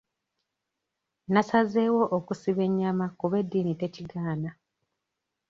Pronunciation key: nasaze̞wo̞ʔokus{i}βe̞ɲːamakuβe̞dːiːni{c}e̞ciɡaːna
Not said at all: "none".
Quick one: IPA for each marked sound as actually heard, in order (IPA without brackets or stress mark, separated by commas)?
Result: i, t